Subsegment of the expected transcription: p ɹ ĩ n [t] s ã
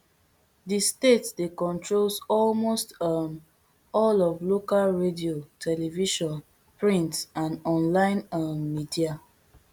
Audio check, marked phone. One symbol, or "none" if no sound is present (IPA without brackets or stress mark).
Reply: t